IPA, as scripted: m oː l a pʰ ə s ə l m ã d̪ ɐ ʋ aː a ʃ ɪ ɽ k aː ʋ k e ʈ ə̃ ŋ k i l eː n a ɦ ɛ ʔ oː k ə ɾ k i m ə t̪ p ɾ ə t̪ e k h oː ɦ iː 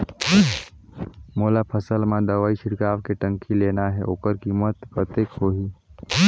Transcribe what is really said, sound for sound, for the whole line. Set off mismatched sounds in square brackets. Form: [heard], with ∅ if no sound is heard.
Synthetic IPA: m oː l a pʰ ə s ə l m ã d̪ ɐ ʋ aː [i] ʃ ɪ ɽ k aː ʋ k e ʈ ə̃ ŋ k i l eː n a ɦ ɛ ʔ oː k ə ɾ k i m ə t̪ p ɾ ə t̪ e k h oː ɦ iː